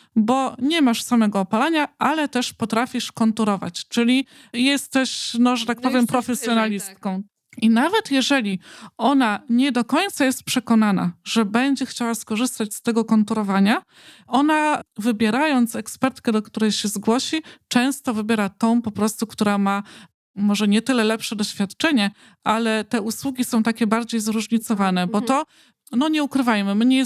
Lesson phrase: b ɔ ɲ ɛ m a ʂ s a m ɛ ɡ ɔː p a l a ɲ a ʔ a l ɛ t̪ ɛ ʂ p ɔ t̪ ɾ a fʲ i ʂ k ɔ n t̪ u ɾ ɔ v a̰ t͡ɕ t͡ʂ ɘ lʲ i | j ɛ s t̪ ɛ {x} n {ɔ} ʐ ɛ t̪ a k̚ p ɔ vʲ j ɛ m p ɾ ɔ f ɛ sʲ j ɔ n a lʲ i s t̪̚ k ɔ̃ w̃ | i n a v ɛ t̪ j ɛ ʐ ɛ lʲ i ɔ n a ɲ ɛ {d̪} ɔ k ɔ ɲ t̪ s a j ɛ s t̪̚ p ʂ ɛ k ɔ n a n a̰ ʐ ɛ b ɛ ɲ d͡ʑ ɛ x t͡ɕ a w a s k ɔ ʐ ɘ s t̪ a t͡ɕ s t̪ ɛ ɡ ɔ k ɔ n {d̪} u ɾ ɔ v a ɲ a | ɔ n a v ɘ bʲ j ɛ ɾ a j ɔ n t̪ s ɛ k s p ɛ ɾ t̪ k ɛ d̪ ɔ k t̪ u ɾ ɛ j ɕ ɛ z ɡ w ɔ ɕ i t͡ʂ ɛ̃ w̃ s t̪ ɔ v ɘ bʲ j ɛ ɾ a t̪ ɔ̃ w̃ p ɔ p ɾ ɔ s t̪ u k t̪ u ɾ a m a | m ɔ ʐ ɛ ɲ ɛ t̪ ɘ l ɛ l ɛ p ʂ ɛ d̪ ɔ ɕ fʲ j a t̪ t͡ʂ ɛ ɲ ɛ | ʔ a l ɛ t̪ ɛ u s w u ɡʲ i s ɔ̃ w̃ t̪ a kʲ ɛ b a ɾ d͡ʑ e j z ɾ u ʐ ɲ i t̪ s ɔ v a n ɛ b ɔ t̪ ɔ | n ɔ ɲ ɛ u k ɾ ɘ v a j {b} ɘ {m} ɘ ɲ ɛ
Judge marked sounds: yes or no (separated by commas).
no, yes, yes, no, no, yes